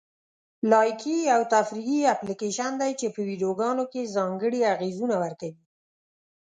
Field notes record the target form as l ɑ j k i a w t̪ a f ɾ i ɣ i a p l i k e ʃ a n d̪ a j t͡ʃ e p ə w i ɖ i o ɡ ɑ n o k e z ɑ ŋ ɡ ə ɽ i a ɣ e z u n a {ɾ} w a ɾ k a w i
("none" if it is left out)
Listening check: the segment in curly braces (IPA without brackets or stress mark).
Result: none